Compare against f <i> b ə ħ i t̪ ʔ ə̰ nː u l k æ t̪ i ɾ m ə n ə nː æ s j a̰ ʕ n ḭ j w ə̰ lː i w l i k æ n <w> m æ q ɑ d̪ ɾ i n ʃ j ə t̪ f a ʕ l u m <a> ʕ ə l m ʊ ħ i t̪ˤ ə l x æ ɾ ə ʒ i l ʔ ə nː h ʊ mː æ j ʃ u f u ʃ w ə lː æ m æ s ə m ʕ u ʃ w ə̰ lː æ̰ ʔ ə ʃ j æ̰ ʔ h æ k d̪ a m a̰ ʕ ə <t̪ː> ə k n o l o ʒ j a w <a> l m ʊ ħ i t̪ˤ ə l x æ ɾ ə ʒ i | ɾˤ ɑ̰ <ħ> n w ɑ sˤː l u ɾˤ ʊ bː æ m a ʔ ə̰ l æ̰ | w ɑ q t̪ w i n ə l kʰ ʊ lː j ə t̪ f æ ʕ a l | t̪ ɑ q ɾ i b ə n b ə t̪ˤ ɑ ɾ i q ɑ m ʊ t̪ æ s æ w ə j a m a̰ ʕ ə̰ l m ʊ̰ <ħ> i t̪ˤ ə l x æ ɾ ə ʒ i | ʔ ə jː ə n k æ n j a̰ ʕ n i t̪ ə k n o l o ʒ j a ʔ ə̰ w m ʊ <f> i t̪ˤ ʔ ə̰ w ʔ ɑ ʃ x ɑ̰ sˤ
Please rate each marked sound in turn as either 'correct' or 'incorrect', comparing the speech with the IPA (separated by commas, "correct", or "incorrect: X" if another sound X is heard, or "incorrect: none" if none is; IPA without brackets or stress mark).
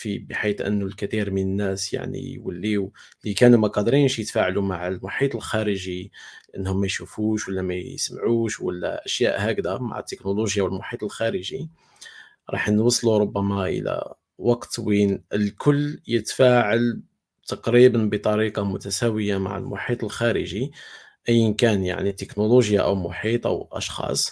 correct, incorrect: u, correct, correct, incorrect: ə, correct, correct, incorrect: ħ